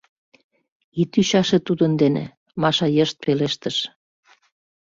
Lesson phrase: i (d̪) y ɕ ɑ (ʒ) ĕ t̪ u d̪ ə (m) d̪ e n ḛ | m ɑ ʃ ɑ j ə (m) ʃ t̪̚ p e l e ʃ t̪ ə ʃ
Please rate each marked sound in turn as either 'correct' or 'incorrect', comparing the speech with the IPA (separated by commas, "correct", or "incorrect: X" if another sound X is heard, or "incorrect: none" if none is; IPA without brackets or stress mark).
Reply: incorrect: t̪, incorrect: ʃ, incorrect: n, incorrect: none